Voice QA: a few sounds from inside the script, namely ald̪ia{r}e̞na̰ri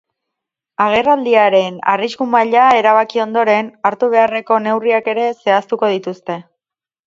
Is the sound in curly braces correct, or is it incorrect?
incorrect